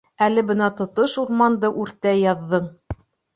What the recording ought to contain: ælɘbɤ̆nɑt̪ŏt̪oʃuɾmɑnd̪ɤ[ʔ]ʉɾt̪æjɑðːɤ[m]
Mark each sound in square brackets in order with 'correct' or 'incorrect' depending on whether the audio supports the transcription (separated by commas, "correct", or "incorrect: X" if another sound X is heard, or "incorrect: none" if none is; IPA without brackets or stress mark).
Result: correct, incorrect: ɴ